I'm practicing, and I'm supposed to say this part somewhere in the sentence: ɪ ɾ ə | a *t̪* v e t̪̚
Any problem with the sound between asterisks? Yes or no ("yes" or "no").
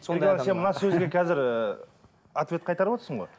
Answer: no